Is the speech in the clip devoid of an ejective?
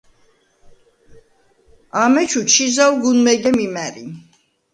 yes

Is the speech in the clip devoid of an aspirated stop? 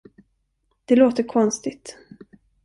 no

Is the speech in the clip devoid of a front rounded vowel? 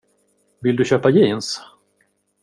no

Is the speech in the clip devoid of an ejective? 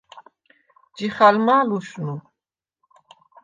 yes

